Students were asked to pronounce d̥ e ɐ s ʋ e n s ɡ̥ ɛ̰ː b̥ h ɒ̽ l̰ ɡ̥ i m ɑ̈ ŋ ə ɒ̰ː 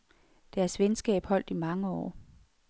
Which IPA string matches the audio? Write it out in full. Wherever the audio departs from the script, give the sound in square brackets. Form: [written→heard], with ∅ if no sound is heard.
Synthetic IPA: d̥ [e→æ] ɐ s ʋ e n s ɡ̥ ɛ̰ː b̥ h ɒ̽ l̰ [ɡ̥→d̥] i m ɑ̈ ŋ ə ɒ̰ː